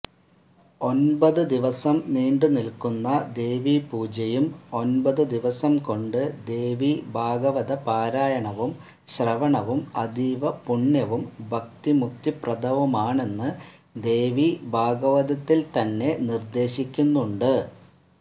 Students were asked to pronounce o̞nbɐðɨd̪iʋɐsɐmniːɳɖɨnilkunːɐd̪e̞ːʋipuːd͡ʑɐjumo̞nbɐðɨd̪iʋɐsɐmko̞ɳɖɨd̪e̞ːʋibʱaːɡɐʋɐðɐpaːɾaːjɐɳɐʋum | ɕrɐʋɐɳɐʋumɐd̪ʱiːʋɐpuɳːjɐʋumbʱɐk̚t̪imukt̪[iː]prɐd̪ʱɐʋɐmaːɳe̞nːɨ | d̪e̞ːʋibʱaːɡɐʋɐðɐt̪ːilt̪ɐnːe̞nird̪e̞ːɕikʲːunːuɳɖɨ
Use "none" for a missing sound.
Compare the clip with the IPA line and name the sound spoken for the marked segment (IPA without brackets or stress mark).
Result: i